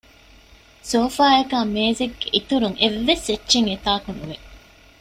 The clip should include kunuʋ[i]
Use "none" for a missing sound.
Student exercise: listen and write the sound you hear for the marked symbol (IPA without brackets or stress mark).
e